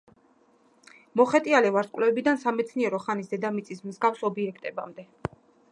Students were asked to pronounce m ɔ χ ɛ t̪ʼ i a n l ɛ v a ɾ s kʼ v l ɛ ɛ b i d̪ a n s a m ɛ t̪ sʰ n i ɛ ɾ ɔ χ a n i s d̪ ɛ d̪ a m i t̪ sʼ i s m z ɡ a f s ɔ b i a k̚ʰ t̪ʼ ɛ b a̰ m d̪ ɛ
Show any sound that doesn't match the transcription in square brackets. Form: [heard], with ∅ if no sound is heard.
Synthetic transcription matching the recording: m ɔ χ ɛ t̪ʼ i a [∅] l ɛ v a ɾ s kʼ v l ɛ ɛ b i d̪ a n s a m ɛ t̪ sʰ n i ɛ ɾ ɔ χ a n i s d̪ ɛ d̪ a m i t̪ sʼ i s m z ɡ a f s ɔ b i [ɛ] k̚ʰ t̪ʼ ɛ b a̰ m d̪ ɛ

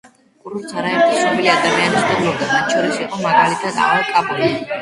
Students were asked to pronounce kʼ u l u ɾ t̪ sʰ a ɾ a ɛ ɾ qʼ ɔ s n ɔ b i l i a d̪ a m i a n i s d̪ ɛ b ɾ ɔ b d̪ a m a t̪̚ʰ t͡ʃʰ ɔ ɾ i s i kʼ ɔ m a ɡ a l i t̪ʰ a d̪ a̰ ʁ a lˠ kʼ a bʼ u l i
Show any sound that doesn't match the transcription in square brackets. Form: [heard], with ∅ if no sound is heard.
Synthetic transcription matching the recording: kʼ u [ɾ] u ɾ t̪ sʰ a ɾ a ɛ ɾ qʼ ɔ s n ɔ b i l i a d̪ a m i a n i s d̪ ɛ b [l] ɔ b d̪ a m a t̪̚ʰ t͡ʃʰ ɔ ɾ i s i [qʼ] ɔ m a ɡ a l i t̪ʰ a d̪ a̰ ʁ a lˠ kʼ a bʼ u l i

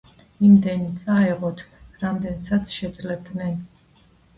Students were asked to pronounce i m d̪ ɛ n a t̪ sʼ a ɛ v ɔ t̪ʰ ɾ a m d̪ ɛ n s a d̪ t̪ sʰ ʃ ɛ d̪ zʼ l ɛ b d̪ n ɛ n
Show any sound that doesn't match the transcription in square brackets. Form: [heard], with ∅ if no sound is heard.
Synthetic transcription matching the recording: i m d̪ ɛ n [i] t̪ sʼ a ɛ [ʁ] ɔ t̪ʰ ɾ a m d̪ ɛ n s a [∅] t̪ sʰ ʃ ɛ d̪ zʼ l ɛ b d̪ n ɛ n

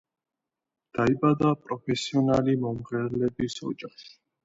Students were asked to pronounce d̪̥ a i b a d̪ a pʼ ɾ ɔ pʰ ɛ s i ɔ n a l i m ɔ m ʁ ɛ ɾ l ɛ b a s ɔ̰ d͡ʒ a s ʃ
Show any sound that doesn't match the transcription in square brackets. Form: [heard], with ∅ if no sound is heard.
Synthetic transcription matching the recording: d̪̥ a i b a d̪ a pʼ ɾ ɔ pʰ ɛ s i ɔ n a l i m ɔ m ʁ ɛ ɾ l ɛ b [i] s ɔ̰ d͡ʒ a [χ] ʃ

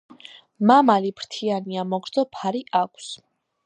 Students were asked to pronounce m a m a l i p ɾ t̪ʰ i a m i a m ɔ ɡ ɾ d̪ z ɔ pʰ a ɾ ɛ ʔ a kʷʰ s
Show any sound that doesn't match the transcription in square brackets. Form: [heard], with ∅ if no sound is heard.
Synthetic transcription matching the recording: m a m a l i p ɾ t̪ʰ i a [n] i a m ɔ ɡ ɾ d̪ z ɔ pʰ a ɾ [i] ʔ a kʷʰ s

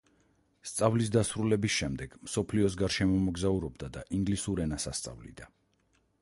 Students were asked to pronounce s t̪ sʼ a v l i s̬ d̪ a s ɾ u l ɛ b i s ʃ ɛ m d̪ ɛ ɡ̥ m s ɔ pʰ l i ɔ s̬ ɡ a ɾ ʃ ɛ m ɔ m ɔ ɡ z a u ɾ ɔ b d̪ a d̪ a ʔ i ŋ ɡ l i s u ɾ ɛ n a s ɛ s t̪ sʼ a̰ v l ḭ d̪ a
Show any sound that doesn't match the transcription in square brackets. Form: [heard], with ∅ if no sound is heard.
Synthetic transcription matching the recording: s t̪ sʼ a v l i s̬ d̪ a s ɾ u l ɛ b i s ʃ ɛ m d̪ ɛ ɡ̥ m s ɔ pʰ l i ɔ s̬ ɡ a ɾ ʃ ɛ m ɔ m ɔ ɡ z a u ɾ ɔ b d̪ a d̪ a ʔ i ŋ ɡ l i s u ɾ ɛ n a s [a] s t̪ sʼ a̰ v l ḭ d̪ a

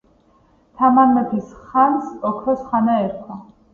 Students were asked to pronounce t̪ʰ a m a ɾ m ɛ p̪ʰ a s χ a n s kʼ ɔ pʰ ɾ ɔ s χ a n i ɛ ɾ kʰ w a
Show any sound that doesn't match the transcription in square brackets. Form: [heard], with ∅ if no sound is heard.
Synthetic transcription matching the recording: t̪ʰ a m a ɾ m ɛ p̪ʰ [i] s χ a n s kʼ ɔ [kʰ] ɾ ɔ s χ a n [a] ɛ ɾ kʰ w a

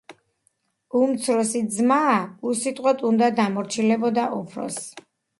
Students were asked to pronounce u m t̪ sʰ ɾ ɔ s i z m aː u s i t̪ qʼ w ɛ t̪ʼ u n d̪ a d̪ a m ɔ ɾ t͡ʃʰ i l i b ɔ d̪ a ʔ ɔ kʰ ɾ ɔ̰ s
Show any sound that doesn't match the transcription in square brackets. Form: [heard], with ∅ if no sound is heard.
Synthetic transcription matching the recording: u m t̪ sʰ ɾ ɔ s i z m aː u s i [t̪ʼ] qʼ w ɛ t̪ʼ u n d̪ a d̪ a m ɔ ɾ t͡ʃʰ i l [ɛ] b ɔ d̪ a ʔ ɔ [pʰ] ɾ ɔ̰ s

